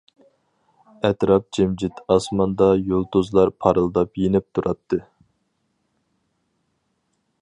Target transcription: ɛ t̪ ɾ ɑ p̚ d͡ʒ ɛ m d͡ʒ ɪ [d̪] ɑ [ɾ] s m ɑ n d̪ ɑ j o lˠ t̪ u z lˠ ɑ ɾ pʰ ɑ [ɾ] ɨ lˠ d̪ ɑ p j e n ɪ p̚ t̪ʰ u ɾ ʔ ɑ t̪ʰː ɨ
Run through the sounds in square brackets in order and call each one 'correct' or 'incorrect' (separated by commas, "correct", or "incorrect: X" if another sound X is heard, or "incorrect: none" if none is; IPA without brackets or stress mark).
incorrect: t̪, incorrect: none, correct